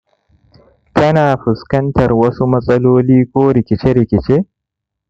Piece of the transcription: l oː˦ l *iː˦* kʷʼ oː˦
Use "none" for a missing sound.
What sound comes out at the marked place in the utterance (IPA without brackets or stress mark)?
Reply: iː˦